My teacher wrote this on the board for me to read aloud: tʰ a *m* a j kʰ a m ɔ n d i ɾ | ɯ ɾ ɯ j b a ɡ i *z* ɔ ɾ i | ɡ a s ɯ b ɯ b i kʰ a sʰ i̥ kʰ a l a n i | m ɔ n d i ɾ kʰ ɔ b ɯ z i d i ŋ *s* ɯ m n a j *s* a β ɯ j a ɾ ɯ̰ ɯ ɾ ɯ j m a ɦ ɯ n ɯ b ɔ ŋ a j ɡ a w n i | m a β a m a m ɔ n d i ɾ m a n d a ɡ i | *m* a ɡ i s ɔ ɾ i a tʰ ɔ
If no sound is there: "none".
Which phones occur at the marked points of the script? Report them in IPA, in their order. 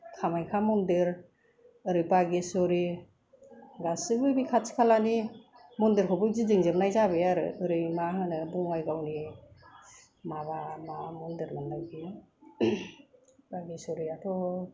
m, s, z, z, b

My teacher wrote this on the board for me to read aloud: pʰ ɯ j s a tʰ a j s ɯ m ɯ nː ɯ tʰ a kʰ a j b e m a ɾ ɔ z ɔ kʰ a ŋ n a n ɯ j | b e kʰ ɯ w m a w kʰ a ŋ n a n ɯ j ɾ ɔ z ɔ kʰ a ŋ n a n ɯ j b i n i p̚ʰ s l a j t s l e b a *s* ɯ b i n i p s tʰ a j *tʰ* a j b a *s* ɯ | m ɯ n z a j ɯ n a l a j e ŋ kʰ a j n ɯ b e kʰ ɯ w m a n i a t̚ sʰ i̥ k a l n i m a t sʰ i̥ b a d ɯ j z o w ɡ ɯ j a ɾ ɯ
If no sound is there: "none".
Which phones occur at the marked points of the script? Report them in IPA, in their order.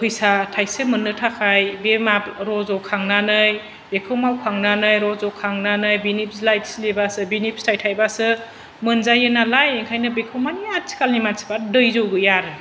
s, tʰ, s

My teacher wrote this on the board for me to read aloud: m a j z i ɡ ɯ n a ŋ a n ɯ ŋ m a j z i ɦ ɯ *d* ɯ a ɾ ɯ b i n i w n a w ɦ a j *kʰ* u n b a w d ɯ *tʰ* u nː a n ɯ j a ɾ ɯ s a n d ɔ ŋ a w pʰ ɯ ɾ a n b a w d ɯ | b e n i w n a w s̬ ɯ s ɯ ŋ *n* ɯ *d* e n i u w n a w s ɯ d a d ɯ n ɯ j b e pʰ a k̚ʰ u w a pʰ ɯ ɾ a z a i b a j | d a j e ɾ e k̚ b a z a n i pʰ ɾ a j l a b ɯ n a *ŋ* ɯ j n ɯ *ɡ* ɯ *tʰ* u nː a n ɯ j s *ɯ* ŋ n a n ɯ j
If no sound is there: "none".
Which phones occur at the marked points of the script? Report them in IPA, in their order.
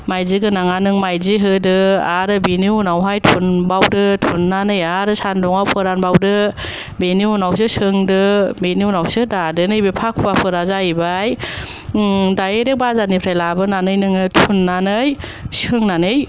d, tʰ, tʰ, d, b, n, ŋ, tʰ, ɯ

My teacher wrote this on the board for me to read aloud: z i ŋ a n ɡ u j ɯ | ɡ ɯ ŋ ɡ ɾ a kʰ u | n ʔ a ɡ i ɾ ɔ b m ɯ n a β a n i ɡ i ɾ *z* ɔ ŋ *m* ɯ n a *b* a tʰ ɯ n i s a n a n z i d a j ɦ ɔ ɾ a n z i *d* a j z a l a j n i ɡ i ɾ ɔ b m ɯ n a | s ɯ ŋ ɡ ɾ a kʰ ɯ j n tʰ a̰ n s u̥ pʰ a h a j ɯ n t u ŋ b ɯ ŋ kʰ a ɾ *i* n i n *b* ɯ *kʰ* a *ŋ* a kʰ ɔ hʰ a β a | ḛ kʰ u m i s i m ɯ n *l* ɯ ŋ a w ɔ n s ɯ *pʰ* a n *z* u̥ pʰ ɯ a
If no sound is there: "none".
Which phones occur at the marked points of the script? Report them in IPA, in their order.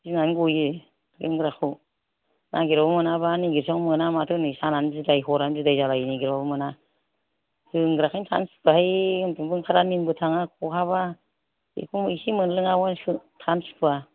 s, m, m, d, a, b, tʰ, ŋ, l, tʰ, s

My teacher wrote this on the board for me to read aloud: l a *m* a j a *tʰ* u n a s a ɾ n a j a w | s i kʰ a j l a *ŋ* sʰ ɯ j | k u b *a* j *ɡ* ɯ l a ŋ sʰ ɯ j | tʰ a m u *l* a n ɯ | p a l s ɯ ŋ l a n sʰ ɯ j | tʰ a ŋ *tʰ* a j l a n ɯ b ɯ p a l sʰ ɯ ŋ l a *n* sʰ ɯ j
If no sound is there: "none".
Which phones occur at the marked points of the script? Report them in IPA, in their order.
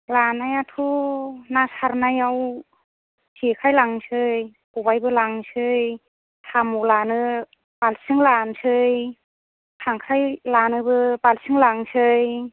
n, tʰ, ŋ, a, b, l, kʰ, ŋ

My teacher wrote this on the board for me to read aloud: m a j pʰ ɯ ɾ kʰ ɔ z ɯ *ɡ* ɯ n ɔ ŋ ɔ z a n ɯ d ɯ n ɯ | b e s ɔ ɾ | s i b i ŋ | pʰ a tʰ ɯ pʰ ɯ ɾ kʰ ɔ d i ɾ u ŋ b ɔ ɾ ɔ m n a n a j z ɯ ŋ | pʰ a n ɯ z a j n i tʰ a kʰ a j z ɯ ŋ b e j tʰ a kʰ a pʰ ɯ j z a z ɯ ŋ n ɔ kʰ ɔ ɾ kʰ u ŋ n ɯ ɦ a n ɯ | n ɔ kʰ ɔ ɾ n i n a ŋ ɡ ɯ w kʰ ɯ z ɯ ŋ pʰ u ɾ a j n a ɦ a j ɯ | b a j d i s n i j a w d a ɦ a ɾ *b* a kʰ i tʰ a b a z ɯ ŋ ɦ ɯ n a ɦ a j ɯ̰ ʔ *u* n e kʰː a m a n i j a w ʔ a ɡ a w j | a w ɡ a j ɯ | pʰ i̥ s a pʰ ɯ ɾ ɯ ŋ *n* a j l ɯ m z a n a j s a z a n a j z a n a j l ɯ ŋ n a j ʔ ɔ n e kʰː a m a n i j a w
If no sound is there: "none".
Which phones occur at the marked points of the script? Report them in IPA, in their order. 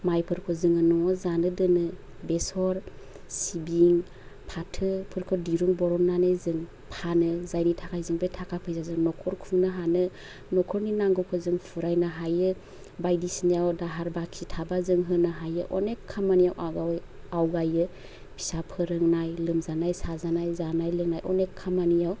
ŋ, b, ɔ, n

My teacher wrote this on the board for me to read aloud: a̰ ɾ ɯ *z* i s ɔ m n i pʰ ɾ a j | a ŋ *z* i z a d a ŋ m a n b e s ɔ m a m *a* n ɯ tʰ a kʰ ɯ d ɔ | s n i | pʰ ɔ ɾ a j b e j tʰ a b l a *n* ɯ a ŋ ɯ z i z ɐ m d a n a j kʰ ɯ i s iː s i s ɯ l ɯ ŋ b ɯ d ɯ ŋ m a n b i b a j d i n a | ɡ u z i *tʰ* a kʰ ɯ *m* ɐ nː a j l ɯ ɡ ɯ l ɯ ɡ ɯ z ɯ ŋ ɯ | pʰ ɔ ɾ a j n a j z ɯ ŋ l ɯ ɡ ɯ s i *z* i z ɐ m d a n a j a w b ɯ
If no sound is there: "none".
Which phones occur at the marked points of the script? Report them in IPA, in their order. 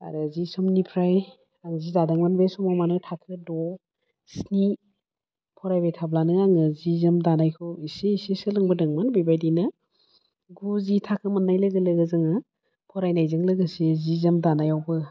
z, z, a, n, tʰ, m, z

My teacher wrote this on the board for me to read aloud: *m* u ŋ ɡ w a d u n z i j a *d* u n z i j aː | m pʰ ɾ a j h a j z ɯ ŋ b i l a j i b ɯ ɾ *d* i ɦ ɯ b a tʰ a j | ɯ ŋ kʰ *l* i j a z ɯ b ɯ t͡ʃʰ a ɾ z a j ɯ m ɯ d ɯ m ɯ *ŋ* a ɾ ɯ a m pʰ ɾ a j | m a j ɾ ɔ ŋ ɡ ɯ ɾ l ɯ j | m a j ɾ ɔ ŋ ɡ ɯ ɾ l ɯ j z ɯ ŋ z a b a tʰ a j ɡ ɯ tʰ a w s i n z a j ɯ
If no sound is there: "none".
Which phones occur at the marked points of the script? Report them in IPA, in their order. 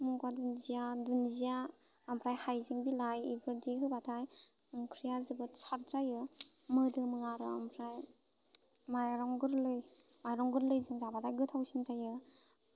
m, d, d, ɾ, ŋ

